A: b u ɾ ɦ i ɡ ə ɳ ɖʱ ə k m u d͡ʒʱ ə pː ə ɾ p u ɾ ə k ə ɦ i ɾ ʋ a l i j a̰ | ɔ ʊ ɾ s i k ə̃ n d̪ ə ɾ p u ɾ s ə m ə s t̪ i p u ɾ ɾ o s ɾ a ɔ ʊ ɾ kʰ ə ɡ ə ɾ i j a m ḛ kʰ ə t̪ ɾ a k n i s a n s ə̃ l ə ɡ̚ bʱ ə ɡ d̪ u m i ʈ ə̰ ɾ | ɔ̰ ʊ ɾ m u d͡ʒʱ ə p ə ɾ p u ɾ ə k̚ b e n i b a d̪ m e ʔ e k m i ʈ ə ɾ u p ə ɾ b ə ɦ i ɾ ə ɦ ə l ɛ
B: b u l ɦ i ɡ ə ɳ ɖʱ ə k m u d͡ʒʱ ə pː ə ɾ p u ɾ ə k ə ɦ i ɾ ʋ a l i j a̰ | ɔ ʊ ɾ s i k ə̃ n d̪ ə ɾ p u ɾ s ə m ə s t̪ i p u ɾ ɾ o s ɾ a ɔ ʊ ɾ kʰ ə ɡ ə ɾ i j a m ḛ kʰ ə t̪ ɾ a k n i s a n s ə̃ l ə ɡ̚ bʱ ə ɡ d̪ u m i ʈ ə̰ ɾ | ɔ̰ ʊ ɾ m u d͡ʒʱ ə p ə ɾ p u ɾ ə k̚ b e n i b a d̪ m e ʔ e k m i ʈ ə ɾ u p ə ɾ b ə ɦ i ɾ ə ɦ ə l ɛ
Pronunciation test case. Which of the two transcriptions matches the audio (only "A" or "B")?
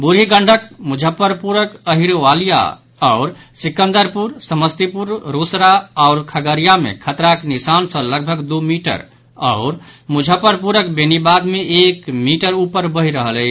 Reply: A